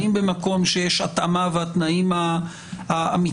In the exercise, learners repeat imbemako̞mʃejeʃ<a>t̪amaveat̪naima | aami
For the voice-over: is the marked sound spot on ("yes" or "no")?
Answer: yes